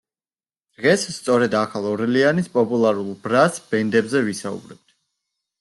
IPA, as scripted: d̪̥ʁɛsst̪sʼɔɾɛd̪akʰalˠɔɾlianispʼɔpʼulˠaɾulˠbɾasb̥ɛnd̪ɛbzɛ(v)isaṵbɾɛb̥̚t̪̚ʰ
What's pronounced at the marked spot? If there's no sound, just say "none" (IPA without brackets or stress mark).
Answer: v